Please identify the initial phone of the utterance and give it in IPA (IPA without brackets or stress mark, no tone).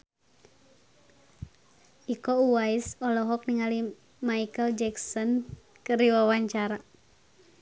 i